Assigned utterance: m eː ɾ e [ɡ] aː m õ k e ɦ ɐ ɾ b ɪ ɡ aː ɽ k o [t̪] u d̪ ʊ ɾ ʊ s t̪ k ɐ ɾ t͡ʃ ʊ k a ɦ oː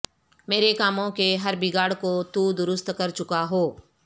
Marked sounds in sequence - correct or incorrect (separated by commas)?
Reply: incorrect, correct